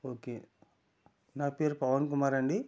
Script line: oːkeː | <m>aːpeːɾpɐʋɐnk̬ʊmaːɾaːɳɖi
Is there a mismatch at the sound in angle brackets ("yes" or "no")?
yes